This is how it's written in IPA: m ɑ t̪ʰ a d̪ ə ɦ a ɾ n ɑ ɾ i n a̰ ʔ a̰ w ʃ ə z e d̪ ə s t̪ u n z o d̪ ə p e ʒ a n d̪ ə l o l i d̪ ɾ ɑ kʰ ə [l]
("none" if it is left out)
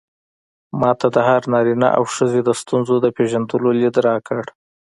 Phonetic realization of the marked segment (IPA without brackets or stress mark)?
ɽ